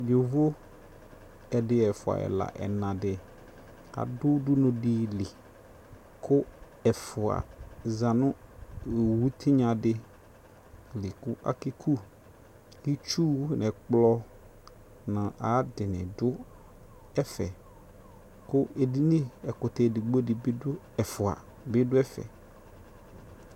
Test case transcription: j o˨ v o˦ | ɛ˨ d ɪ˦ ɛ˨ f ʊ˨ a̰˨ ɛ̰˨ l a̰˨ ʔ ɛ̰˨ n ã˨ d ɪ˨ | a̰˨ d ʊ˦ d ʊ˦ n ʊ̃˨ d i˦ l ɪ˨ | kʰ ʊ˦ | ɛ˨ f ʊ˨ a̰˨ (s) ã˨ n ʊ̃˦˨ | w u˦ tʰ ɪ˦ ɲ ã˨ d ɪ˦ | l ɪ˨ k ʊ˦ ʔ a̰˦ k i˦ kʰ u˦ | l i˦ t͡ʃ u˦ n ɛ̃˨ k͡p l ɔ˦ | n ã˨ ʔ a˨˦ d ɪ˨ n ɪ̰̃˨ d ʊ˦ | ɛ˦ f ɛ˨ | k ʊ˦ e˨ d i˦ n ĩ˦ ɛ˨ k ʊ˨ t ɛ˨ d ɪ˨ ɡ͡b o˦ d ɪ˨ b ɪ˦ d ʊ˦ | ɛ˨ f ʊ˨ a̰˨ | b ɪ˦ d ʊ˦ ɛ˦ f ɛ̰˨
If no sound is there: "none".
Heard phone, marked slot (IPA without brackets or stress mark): z